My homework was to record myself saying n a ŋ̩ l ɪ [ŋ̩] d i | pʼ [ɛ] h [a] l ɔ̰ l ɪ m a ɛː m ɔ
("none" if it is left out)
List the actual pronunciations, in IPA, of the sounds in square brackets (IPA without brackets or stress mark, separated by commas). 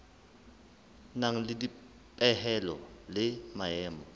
none, ɛ, ɛ